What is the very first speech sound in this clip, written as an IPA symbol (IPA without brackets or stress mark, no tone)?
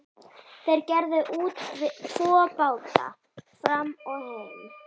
θ